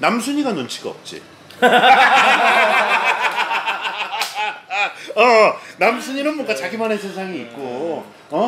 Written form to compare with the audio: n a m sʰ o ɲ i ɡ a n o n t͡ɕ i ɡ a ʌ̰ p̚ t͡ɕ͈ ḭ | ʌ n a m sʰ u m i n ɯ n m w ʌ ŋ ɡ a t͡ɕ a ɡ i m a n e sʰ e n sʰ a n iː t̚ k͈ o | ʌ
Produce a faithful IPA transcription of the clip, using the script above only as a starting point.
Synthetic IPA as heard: n a m sʰ u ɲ i ɡ a n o n t͡ɕʰ i ɡ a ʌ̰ p̚ t͡ɕ͈ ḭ | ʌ n a m sʰ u ɲ i n ɯ n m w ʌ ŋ ɡ a t͡ɕ a ɡ i m a n e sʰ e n sʰ a ŋ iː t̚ k͈ o | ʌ

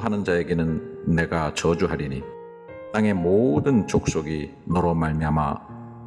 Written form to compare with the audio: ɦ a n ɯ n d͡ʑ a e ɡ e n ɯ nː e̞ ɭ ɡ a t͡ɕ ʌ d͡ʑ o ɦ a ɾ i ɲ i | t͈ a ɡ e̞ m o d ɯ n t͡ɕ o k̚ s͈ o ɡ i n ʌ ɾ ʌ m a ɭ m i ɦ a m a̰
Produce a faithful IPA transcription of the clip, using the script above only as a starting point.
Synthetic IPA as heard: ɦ a n ɯ n d͡ʑ a e ɡ e n ɯ nː e̞ ɡ a t͡ɕ ʌ d͡ʑ u ɦ a ɾ i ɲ i | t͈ a ŋ e̞ m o d ɯ n t͡ɕ o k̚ s͈ o ɡ i n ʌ ɾ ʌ m a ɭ m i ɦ a m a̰

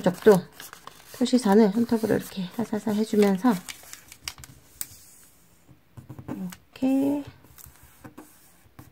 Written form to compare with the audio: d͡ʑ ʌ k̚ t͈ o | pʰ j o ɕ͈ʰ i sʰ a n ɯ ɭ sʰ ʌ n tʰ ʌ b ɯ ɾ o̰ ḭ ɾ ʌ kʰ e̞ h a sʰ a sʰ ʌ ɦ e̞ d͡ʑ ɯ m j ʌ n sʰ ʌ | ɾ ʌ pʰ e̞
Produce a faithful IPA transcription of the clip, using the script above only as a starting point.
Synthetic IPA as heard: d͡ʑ ʌ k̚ t͈ o | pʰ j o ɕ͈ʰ i sʰ a n ɯ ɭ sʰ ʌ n tʰ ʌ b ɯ ɾ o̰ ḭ ɾ ʌ kʰ e̞ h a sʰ a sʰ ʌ ɦ e̞ d͡ʑ u m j ʌ n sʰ ʌ | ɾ ʌ kʰ e̞

